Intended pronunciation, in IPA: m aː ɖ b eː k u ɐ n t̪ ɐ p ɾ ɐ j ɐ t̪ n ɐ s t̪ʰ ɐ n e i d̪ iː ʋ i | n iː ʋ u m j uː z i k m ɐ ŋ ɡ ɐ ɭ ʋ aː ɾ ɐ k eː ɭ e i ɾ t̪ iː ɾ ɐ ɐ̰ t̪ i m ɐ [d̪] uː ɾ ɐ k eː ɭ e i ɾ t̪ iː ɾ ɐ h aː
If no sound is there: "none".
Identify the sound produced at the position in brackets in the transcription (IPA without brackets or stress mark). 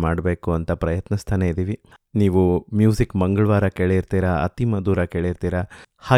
d̪